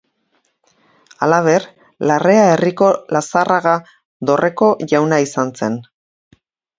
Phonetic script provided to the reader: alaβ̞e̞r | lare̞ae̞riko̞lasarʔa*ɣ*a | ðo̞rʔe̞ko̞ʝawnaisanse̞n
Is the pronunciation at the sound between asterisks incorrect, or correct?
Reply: correct